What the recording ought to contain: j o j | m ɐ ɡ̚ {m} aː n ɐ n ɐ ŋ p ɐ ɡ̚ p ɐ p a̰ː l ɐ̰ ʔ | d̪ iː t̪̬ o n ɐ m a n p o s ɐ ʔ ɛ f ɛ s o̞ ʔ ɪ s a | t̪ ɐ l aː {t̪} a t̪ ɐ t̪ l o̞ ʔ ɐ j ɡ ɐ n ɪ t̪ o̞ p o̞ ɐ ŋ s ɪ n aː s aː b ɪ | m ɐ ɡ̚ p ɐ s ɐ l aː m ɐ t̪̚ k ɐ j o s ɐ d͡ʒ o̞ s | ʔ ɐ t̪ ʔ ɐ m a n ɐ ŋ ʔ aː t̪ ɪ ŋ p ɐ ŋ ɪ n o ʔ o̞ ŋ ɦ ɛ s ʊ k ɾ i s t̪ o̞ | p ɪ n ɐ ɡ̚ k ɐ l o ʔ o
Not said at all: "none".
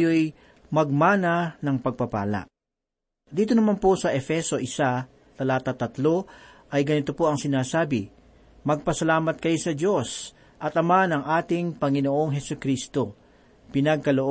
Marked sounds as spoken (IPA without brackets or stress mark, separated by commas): m, t̪